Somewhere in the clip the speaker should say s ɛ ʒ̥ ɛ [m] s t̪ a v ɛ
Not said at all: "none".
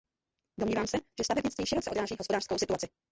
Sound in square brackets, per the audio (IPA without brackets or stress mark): none